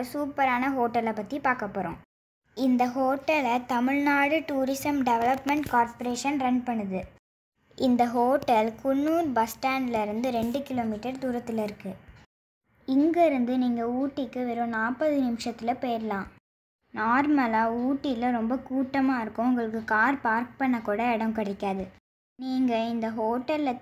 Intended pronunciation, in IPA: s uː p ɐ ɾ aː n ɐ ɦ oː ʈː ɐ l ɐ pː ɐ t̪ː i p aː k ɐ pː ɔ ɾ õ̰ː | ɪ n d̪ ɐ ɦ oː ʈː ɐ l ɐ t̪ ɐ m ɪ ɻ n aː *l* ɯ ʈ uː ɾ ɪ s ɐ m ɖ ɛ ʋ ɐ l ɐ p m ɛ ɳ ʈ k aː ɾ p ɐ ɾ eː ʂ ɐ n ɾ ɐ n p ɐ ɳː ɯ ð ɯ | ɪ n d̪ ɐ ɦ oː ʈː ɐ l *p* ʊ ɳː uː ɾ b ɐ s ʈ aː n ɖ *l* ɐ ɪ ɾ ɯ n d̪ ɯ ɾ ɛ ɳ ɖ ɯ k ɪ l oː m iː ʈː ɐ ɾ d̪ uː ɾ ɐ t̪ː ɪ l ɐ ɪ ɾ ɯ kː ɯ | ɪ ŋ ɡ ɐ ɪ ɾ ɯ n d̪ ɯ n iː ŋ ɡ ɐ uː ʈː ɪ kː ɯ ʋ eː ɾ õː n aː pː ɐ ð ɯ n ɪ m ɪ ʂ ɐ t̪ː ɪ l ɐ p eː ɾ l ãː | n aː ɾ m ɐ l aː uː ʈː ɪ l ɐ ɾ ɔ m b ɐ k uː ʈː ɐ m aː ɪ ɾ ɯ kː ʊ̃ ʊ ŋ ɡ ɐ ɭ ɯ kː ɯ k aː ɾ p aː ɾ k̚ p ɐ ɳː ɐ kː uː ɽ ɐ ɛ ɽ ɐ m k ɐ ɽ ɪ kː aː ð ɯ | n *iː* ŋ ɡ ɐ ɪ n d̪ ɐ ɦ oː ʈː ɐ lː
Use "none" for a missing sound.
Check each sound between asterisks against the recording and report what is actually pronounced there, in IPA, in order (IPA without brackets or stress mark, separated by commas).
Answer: ɽ, k, l, iː